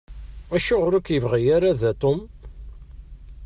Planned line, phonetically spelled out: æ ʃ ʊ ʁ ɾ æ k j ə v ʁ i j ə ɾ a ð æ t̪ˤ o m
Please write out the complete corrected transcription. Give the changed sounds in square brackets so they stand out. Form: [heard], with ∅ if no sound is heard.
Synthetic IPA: æ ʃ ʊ ʁ ɾ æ k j ə v ʁ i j [a] ɾ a ð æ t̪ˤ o m